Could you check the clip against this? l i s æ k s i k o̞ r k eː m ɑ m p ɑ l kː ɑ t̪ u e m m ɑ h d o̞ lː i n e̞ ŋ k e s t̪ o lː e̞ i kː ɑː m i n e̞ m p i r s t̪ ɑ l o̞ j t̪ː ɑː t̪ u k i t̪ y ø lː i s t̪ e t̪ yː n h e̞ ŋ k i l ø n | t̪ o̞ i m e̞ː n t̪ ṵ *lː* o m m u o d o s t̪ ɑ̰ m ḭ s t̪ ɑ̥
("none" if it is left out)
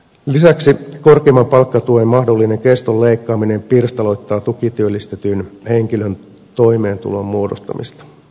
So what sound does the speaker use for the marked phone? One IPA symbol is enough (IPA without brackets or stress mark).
l